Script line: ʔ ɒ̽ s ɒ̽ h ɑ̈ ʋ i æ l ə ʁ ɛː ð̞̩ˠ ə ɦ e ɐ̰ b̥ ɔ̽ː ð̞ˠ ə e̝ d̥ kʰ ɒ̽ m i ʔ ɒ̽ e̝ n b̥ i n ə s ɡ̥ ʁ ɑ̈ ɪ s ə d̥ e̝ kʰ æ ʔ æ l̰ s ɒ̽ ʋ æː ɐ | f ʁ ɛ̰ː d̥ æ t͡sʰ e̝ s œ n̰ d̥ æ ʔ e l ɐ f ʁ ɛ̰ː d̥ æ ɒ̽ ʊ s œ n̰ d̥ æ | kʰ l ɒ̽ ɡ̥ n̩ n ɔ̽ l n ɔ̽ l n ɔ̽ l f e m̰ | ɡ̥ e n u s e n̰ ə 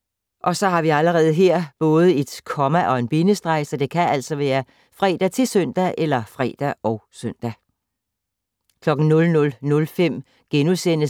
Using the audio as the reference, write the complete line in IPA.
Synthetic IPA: ʔ ɒ̽ s ɒ̽ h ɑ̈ ʋ i æ l ə ʁ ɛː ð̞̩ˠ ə ɦ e ɐ̰ b̥ ɔ̽ː ð̞ˠ ə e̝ d̥ kʰ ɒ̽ m æ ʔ ɒ̽ e̝ n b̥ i n ə s d̥ ʁ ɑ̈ ɪ s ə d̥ e̝ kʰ æ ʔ æ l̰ s ɒ̽ ʋ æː ɐ | f ʁ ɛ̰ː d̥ æ t͡sʰ e̝ s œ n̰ d̥ æ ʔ e l ɐ f ʁ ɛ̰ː d̥ æ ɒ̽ ʊ s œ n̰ d̥ æ | kʰ l ɒ̽ ɡ̥ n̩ n ɔ̽ l n ɔ̽ l n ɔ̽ l f e m̰ | ɡ̥ e n u s e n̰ ə